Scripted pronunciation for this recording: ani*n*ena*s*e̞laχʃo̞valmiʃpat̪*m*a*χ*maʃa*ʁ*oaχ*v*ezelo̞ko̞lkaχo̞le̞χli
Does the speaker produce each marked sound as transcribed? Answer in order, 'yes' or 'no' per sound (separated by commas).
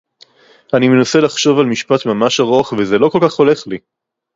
no, yes, yes, no, yes, yes